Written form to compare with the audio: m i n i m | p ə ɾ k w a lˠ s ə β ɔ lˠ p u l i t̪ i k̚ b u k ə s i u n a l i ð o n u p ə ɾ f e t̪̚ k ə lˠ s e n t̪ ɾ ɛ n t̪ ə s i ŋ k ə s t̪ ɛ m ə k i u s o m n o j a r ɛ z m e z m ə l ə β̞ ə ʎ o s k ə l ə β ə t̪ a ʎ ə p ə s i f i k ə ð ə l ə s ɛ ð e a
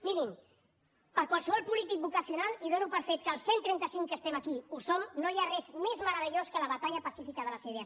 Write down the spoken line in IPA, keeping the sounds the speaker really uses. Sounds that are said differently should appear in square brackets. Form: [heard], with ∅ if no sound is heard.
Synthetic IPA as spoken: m i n i m | p ə ɾ k w a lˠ s ə β ɔ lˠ p u l i t̪ i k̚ b u k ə s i u n a l i ð o n u p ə ɾ f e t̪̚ k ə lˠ s e n t̪ ɾ ɛ n t̪ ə s i ŋ k ə s t̪ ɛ m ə k i u s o m n o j a r ɛ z m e z m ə [ɾ] ə β̞ ə ʎ o s k ə l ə β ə t̪ a ʎ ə p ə s i f i k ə ð ə l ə s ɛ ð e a